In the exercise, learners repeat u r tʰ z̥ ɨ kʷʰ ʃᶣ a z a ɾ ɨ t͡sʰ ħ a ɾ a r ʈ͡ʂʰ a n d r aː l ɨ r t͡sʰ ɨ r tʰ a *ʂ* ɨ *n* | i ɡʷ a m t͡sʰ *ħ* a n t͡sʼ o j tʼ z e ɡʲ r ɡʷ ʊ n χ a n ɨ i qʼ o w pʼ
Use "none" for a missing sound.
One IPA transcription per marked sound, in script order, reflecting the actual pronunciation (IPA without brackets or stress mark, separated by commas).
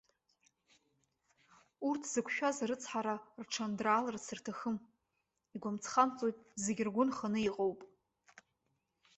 x, m, χ